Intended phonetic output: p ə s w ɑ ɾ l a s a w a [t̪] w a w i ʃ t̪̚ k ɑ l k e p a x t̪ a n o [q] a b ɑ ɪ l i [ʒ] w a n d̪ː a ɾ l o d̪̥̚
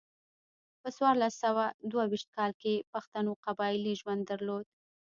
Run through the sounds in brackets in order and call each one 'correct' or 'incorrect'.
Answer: incorrect: d̪, correct, correct

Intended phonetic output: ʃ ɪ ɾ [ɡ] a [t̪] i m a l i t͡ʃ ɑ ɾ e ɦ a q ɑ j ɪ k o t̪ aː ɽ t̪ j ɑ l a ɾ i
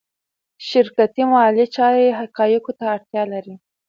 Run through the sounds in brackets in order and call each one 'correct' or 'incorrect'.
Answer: incorrect: k, correct

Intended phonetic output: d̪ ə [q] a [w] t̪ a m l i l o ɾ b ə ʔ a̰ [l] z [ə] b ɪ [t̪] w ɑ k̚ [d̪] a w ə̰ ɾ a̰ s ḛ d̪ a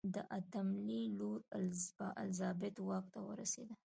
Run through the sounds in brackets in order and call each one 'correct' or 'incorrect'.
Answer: incorrect: ʔ, incorrect: none, correct, incorrect: ɑ, correct, incorrect: t̪

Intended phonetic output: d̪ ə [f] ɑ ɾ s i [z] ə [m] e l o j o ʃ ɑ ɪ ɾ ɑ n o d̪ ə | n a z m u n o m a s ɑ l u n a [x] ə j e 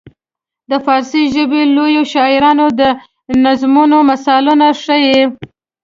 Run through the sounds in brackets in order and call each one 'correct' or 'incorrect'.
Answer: correct, incorrect: ʒ, incorrect: b, incorrect: ʂ

